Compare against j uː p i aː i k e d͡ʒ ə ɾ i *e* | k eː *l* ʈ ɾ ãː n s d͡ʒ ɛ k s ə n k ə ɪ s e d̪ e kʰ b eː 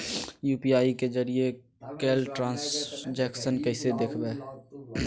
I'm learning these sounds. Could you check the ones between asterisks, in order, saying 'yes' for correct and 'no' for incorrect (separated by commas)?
yes, yes